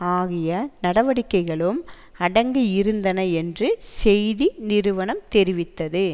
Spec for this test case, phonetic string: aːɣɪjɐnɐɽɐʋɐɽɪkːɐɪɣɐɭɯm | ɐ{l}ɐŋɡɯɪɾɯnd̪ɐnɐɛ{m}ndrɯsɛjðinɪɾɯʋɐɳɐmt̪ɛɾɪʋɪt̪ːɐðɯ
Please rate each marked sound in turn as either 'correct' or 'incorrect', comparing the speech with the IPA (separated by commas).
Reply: incorrect, incorrect